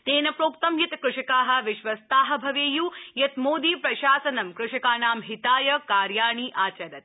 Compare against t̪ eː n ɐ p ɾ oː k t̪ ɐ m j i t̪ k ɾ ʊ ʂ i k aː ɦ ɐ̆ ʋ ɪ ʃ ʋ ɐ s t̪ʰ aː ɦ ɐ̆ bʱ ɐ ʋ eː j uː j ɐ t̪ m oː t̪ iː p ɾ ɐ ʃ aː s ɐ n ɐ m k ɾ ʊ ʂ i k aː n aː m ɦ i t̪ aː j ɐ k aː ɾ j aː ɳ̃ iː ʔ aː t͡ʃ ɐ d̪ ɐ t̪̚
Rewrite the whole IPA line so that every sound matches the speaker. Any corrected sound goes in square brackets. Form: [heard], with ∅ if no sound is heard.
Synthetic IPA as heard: t̪ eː n ɐ p ɾ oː k t̪ ɐ m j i t̪ k ɾ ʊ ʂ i k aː ɦ ɐ̆ ʋ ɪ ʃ ʋ ɐ s [t̪] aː ɦ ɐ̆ bʱ ɐ ʋ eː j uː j ɐ t̪ m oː [d̪] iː p ɾ ɐ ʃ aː s ɐ n ɐ m k ɾ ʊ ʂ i k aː n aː m ɦ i t̪ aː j ɐ k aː ɾ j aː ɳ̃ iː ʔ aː t͡ʃ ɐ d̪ ɐ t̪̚